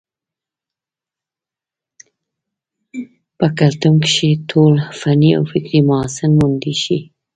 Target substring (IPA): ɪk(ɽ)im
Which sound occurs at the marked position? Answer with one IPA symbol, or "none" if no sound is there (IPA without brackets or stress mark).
ɾ